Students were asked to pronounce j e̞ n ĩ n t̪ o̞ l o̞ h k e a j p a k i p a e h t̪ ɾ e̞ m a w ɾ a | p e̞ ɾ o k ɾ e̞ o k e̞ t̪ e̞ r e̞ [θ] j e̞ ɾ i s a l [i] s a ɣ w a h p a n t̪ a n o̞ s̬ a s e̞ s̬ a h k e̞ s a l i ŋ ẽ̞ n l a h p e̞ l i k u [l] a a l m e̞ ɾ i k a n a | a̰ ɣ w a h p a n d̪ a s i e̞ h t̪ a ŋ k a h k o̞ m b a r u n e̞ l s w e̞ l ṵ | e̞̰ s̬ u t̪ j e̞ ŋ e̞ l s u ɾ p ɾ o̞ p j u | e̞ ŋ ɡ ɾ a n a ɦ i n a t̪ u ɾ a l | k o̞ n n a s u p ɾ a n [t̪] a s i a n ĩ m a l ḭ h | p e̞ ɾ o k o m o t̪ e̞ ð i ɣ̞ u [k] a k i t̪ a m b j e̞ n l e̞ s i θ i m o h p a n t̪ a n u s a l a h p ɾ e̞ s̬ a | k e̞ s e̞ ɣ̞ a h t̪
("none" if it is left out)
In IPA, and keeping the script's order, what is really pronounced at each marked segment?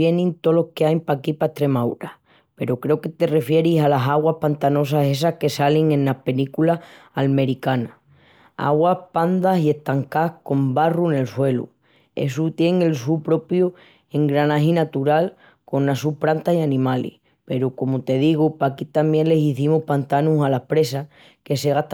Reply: f, a, l, t̪, p

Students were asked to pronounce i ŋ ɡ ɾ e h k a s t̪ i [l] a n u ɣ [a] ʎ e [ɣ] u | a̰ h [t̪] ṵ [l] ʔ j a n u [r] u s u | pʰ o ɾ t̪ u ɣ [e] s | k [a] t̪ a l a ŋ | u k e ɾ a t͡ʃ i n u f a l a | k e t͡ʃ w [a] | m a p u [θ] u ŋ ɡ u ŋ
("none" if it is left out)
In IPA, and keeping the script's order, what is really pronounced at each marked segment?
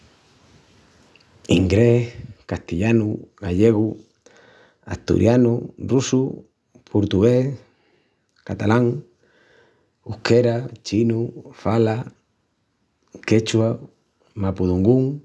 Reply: ʎ, a, ɣ, t̪, ɾ, r, e, a, a, ð

